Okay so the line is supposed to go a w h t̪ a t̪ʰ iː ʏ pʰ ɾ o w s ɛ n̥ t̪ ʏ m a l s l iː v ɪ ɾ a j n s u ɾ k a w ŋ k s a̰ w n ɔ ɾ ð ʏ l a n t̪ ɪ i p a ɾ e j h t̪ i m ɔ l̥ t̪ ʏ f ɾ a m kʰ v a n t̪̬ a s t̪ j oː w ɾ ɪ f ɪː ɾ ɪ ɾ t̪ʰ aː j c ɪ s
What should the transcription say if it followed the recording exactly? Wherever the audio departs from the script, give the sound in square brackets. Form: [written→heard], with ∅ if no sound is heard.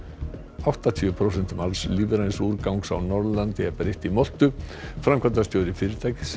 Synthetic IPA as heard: a w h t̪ a t̪ʰ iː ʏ pʰ ɾ o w s ɛ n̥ t̪ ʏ m a l s l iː v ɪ ɾ a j n s u ɾ k a w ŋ k s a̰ w n ɔ ɾ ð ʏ l a n t̪ ɪ [i→ɛ] p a ɾ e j h t̪ i m ɔ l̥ t̪ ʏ f ɾ a m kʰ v a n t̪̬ a s t̪ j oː w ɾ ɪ f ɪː ɾ ɪ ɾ t̪ʰ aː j c ɪ s